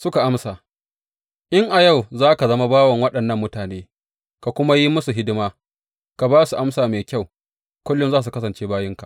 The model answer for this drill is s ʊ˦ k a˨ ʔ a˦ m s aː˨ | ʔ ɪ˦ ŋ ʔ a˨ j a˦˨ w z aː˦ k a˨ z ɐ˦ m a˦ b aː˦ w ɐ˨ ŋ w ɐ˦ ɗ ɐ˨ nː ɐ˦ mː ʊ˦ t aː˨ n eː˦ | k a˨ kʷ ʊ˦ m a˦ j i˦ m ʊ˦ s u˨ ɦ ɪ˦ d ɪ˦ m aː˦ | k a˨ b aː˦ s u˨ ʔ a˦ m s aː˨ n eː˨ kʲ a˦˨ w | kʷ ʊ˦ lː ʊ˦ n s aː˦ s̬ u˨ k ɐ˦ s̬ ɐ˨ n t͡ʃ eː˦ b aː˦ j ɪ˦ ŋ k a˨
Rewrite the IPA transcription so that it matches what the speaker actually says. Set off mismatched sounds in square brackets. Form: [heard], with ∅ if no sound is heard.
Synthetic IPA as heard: s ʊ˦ k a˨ ʔ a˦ m s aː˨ | ʔ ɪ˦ ŋ ʔ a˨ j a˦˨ w z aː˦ k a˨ z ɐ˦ m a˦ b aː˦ w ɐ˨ ŋ w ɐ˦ ɗ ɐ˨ nː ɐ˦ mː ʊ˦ t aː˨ n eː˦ | k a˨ kʷ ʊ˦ m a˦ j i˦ m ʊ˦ s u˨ ɦ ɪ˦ d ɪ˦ m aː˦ | k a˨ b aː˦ s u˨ ʔ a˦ m s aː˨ [m] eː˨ kʲ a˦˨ w | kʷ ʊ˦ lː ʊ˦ n [z] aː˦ s̬ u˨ k ɐ˦ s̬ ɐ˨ n t͡ʃ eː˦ b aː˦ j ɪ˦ ŋ k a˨

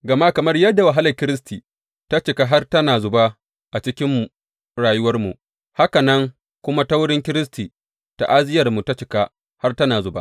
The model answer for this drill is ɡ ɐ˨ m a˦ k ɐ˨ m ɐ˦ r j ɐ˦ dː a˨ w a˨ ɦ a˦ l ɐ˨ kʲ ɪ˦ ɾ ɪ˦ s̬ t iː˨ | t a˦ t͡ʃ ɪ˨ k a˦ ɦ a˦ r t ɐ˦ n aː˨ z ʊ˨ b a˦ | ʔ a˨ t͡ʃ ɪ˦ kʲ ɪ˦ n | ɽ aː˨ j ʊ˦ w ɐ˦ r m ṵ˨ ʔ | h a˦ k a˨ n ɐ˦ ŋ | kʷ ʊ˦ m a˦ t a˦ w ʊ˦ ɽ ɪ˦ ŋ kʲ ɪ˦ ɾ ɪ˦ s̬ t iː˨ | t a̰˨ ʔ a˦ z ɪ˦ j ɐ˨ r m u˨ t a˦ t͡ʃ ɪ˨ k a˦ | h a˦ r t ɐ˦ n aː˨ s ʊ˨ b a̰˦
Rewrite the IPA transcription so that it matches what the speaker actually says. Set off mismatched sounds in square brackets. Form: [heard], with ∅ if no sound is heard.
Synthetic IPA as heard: ɡ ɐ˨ m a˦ k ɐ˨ m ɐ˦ r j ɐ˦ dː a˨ w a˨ ɦ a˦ l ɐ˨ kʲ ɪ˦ ɾ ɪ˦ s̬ t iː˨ | t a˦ t͡ʃ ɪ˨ k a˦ ɦ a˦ r t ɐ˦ n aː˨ z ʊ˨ b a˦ | ʔ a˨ t͡ʃ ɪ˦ kʲ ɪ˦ [m] | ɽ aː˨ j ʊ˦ w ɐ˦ r m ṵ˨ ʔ | h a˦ k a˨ n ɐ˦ ŋ | kʷ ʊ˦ m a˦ t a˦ w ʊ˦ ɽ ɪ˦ ŋ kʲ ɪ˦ ɾ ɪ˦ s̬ t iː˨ | t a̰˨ ʔ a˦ z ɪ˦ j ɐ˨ r m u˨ t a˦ t͡ʃ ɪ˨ k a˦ | h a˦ r t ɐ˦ n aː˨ [z] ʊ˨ b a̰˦

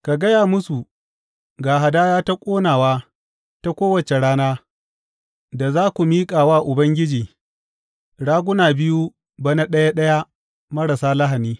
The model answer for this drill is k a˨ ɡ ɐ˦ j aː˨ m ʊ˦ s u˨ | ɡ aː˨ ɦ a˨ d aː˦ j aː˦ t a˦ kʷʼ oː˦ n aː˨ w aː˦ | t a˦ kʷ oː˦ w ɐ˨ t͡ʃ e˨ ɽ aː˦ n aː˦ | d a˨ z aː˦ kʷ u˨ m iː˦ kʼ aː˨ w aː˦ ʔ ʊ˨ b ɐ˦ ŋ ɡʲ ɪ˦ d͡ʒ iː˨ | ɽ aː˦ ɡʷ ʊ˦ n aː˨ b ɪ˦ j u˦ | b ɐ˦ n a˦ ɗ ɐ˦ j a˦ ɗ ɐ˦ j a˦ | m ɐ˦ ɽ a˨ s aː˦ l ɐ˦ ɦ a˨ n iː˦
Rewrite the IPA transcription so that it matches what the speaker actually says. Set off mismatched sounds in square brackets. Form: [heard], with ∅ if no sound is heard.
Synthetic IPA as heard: k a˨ ɡ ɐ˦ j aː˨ m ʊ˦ s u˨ | ɡ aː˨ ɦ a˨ d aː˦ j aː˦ t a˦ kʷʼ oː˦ n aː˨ w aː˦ | t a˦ kʷ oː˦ w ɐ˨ t͡ʃ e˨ ɽ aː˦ n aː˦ | d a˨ z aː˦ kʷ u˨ m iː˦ kʼ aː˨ w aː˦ ʔ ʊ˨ b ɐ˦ ŋ ɡʲ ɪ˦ d͡ʒ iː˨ | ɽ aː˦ ɡʷ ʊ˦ n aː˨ b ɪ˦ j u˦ | b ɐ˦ n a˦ ɗ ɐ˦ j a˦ ɗ ɐ˦ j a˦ | m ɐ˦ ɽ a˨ s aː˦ l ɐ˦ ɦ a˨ n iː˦

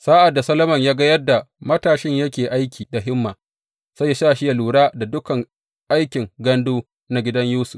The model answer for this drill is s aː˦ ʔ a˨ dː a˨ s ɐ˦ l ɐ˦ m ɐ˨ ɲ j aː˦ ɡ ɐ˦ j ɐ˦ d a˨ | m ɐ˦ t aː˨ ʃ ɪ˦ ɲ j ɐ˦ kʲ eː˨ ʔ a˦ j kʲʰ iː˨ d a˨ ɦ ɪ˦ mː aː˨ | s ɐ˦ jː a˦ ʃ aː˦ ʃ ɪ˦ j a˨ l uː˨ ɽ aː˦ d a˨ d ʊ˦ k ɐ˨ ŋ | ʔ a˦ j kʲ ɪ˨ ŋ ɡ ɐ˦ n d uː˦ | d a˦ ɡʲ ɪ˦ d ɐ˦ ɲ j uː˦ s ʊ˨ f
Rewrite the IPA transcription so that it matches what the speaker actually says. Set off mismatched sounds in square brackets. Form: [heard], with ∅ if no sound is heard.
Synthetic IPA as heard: s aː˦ ʔ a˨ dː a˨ s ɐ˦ l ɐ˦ m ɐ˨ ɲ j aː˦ ɡ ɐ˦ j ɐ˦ d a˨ | m ɐ˦ t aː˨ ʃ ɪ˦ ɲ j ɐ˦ kʲ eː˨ ʔ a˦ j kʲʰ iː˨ d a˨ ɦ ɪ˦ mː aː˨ | s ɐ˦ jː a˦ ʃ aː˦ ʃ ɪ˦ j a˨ l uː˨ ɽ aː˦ d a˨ d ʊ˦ k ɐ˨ ŋ | ʔ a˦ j kʲ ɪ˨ ŋ ɡ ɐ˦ n d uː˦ | [n] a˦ ɡʲ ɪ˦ d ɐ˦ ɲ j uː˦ s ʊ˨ f

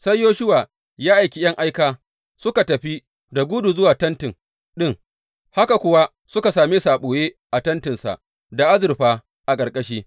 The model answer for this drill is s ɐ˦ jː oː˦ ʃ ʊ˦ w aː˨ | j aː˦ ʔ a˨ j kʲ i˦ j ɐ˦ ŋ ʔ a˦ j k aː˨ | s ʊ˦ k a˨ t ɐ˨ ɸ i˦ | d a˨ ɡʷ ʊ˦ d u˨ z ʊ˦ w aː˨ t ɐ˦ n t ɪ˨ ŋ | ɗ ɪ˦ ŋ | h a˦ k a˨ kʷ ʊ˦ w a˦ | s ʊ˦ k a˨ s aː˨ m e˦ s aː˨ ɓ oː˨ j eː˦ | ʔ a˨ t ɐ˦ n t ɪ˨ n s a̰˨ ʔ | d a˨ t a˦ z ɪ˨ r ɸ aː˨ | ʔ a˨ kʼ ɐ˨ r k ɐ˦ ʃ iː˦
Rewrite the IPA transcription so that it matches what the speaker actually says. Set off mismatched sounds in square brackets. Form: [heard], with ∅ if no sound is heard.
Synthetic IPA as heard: s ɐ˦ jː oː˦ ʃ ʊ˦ w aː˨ | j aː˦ ʔ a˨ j kʲ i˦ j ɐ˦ ŋ ʔ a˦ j k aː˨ | s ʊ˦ k a˨ t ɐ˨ ɸ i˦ | d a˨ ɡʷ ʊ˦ d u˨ z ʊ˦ w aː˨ t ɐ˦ n t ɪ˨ ŋ | ɗ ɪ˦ ŋ | h a˦ k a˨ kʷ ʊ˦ w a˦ | s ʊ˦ k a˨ s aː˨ m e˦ s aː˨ ɓ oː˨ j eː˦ | ʔ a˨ t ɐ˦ n t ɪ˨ n s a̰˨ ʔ | d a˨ [ʔ] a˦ z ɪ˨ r ɸ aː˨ | ʔ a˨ kʼ ɐ˨ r [kʼ] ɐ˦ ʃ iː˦

